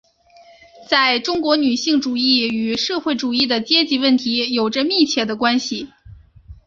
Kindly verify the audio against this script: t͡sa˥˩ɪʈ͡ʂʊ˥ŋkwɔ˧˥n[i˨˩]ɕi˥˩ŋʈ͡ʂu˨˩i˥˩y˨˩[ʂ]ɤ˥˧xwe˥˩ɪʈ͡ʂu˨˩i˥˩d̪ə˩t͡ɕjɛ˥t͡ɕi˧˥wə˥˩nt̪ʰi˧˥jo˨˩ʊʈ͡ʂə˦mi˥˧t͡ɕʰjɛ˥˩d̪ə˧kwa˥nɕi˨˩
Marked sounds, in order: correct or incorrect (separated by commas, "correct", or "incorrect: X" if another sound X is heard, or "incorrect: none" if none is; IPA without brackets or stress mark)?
incorrect: y˨˩, correct